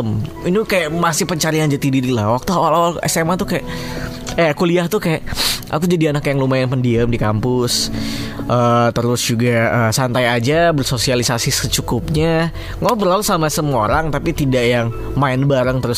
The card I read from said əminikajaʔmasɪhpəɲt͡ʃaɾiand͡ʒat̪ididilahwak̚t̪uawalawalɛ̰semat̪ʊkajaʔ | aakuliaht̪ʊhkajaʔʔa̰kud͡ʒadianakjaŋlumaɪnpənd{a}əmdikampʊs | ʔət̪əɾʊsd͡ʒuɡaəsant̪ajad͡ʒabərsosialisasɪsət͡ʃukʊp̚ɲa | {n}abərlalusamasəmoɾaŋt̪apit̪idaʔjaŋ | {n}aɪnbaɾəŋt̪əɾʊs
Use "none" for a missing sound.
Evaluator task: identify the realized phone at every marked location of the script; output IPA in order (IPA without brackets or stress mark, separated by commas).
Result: i, ŋ, m